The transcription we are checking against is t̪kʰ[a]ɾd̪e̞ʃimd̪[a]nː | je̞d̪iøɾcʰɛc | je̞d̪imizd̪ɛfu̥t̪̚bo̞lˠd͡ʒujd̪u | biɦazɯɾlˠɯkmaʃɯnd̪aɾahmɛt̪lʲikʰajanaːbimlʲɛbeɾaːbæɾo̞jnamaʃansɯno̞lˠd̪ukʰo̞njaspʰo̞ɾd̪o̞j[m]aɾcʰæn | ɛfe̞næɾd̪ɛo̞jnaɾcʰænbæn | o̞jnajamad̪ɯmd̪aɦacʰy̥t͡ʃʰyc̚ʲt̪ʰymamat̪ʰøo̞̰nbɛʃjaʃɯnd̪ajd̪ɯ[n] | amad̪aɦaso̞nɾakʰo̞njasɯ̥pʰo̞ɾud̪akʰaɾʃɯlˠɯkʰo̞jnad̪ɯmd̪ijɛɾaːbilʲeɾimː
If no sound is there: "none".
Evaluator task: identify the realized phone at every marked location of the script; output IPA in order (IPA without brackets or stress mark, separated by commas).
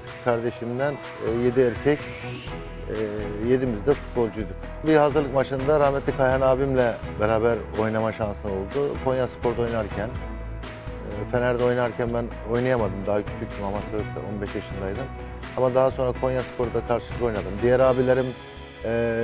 a, æ, n, m